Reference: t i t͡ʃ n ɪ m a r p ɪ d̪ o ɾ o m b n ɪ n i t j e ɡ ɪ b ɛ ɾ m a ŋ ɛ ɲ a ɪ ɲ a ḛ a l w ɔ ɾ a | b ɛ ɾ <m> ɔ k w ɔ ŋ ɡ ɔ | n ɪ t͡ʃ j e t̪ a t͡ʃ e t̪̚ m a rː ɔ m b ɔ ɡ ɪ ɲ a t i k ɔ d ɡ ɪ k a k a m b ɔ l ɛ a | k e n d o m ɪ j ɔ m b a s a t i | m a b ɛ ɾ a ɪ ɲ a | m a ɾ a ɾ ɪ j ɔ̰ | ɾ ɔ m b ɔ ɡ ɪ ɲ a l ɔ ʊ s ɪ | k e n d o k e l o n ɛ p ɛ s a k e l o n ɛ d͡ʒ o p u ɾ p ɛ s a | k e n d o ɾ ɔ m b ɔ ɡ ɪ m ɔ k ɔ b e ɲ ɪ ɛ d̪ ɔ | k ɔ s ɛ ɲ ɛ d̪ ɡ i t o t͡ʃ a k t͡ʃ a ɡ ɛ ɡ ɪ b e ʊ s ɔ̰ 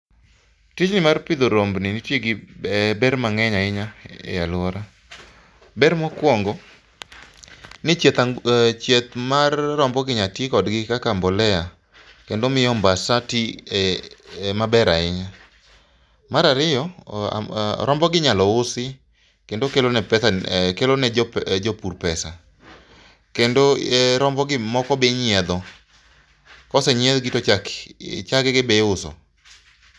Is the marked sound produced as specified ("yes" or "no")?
yes